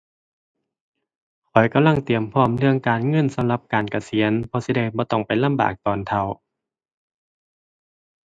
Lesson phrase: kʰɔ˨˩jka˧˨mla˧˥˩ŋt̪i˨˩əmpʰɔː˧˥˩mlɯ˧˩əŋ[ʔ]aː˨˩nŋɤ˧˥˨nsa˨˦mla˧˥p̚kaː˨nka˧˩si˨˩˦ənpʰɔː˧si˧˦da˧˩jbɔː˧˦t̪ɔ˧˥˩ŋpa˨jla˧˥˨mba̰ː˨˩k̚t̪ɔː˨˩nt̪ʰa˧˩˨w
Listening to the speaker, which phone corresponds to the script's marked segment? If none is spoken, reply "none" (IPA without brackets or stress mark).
k